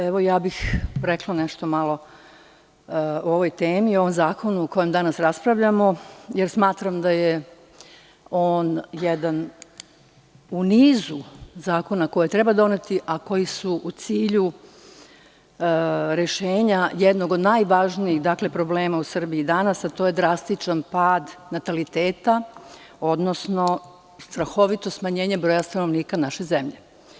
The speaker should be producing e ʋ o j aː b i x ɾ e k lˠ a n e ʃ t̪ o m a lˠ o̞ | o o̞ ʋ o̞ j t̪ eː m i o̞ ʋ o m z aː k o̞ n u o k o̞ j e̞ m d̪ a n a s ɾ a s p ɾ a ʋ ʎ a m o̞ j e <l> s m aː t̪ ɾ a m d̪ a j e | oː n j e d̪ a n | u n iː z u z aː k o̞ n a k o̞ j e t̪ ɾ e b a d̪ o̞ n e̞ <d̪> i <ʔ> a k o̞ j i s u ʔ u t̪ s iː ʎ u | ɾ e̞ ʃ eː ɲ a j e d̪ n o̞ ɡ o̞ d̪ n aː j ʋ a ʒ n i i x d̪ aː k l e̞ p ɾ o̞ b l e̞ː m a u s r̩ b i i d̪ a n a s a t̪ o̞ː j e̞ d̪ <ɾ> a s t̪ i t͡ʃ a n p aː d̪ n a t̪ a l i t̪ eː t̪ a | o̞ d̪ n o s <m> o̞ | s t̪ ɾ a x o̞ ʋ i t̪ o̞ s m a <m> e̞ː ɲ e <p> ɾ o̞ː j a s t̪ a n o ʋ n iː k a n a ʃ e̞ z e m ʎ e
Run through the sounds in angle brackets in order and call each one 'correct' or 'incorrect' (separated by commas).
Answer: incorrect, incorrect, correct, correct, incorrect, incorrect, incorrect